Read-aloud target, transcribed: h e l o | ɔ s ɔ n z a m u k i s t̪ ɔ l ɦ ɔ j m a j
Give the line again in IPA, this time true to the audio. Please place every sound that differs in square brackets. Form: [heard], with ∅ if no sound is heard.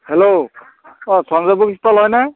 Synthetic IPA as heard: h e l o | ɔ s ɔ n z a [b] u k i s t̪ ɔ l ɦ ɔ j [n] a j